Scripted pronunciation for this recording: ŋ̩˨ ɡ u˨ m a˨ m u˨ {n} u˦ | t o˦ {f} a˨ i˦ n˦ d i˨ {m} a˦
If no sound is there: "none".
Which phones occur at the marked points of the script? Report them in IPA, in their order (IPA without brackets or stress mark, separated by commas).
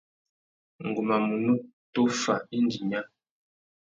n, f, ɲ